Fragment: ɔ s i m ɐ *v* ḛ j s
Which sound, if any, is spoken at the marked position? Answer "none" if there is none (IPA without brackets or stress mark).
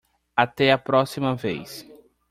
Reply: v